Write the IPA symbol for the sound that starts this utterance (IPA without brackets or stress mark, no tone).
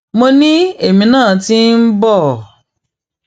m